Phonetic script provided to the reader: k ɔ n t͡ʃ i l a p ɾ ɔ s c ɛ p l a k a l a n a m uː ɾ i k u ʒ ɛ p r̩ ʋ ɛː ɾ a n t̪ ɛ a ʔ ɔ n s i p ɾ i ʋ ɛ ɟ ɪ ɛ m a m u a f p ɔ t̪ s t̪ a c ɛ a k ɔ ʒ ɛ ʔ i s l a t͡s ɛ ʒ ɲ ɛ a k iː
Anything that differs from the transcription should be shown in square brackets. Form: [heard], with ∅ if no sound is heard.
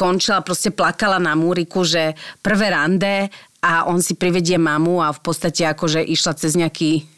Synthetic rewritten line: k ɔ n t͡ʃ i l a p ɾ ɔ s c ɛ p l a k a l a n a m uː ɾ i k u ʒ ɛ p r̩ ʋ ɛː ɾ a n [d̪] ɛ a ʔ ɔ n s i p ɾ i ʋ ɛ ɟ ɪ ɛ m a m u a f p ɔ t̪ s t̪ a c ɛ a k ɔ ʒ ɛ ʔ i [ʃ] l a t͡s ɛ [z] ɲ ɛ a k iː